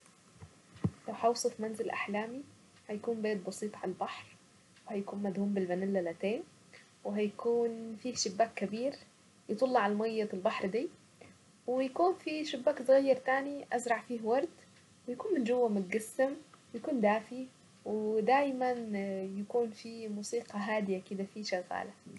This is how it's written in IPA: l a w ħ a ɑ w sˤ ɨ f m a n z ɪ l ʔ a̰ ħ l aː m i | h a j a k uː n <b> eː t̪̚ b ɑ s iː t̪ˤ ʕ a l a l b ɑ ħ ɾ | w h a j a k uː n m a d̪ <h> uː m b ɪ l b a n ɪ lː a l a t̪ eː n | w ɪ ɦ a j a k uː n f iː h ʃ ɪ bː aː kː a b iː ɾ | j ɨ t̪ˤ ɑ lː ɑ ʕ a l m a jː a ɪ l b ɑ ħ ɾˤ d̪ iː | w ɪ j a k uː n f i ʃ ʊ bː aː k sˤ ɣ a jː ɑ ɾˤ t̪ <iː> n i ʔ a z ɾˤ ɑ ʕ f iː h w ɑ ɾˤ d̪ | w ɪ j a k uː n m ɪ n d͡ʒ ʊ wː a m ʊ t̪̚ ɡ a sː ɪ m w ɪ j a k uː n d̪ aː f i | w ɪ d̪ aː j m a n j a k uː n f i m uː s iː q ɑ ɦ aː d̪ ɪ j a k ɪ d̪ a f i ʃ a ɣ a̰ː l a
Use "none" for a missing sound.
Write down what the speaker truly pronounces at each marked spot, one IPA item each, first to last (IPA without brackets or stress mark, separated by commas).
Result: b, h, aː